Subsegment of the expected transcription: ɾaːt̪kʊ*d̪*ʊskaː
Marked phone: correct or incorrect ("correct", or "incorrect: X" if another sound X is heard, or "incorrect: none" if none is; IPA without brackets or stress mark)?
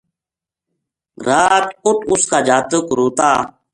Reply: incorrect: t̪